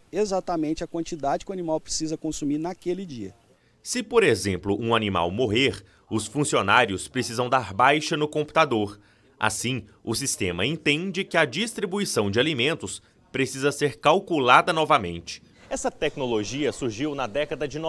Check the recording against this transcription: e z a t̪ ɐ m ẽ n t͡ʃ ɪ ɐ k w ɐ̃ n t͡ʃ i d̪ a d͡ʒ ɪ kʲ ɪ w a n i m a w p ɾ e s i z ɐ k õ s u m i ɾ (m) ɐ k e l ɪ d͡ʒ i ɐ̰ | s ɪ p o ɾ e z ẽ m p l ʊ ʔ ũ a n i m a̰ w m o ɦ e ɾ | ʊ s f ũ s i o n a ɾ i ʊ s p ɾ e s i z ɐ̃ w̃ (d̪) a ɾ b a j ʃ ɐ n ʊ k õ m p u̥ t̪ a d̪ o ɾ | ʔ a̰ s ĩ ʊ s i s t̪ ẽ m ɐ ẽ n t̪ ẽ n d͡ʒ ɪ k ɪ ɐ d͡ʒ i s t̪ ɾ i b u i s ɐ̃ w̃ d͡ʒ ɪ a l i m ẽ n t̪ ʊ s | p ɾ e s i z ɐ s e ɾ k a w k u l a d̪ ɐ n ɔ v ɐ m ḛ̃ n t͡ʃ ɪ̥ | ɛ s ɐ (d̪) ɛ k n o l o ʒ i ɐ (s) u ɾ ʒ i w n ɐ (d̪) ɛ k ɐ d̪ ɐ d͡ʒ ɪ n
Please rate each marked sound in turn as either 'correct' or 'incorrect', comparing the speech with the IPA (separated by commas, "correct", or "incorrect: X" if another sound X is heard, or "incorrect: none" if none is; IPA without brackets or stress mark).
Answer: incorrect: n, correct, incorrect: t̪, correct, correct